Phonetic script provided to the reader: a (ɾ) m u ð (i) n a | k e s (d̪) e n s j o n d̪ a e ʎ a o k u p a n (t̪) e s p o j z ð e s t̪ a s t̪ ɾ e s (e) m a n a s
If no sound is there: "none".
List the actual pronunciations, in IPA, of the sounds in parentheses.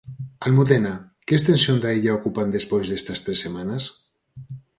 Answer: l, e, t̪, d̪, e

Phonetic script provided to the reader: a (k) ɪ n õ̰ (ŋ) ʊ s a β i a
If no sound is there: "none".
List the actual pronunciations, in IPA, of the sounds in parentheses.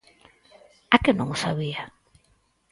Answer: k, ŋ

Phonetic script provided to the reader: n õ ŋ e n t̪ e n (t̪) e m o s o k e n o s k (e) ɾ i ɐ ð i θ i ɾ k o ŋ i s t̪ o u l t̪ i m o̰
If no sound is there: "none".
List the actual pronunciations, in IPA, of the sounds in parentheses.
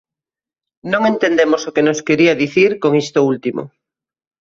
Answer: d̪, e

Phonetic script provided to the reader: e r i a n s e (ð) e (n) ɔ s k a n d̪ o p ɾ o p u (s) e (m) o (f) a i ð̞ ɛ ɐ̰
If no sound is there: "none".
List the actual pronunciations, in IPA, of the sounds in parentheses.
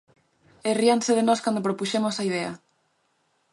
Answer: ð, n, ʃ, m, s

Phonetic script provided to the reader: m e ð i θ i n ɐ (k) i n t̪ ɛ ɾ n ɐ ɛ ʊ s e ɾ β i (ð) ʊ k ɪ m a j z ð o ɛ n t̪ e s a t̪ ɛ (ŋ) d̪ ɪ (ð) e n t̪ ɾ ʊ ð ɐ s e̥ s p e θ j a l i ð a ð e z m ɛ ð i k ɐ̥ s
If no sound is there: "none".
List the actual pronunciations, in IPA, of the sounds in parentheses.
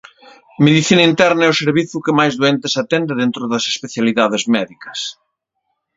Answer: none, θ, n, ð

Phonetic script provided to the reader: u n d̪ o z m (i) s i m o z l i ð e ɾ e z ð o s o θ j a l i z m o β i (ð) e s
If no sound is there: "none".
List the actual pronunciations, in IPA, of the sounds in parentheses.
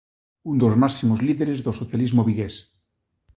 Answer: a, ɣ

